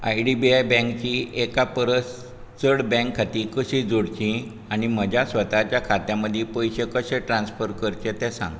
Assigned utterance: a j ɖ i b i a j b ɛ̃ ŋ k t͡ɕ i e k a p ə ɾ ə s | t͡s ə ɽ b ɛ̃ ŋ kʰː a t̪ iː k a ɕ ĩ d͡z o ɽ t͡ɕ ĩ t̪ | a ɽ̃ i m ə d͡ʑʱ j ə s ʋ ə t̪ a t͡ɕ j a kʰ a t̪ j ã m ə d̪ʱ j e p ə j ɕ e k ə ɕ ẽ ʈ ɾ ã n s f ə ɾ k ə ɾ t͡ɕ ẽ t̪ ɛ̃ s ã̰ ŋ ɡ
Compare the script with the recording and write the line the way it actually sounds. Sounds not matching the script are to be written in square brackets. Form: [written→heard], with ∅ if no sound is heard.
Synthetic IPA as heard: a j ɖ i b i a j b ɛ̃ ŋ k t͡ɕ i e k a p ə ɾ ə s | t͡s ə ɽ b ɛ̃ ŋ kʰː a t̪ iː k [a→ə] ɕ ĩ d͡z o ɽ t͡ɕ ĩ [t̪→∅] | a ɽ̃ i m ə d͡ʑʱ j [ə→a] s ʋ ə t̪ a t͡ɕ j a kʰ a t̪ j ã m ə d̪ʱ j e p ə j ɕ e k ə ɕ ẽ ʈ ɾ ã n s f ə ɾ k ə ɾ t͡ɕ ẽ t̪ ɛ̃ s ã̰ ŋ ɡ